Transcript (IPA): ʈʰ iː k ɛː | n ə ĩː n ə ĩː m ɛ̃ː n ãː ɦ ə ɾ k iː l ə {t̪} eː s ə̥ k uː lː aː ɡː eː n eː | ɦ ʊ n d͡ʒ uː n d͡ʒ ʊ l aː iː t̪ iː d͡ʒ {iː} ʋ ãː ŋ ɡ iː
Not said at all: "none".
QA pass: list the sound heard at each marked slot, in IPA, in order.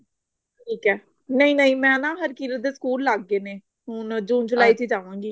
d̪, aː

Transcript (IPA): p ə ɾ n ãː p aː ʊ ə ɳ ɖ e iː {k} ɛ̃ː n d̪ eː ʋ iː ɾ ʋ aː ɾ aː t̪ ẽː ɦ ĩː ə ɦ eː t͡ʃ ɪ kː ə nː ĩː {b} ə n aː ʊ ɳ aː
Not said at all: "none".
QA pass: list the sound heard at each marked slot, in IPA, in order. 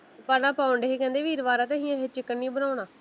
k, b

